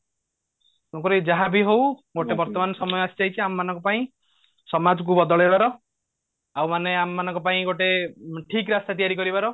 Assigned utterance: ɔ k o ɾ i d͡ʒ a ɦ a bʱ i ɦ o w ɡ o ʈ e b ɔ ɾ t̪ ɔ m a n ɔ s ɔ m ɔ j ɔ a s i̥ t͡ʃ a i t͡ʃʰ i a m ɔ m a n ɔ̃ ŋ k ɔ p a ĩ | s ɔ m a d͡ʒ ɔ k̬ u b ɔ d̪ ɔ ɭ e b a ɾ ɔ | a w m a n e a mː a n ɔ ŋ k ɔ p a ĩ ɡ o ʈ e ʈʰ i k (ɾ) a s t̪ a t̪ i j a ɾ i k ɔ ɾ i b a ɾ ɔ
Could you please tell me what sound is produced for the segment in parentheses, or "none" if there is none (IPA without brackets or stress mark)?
ɾ